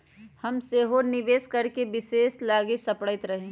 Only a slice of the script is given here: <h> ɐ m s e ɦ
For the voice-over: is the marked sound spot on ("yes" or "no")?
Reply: yes